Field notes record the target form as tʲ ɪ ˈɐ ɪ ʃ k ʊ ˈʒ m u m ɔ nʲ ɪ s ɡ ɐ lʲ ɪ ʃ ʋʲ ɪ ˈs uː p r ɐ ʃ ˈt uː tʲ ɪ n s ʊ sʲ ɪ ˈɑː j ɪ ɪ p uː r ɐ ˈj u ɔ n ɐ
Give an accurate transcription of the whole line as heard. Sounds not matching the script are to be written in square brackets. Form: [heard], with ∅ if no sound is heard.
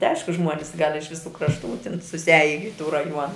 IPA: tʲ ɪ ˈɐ ɪ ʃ k ʊ ˈʒ m u [∅] ɔ nʲ ɪ s ɡ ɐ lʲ ɪ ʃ ʋʲ ɪ ˈs uː [k] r ɐ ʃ ˈt uː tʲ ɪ n s ʊ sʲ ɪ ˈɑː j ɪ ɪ [t] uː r ɐ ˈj u ɔ n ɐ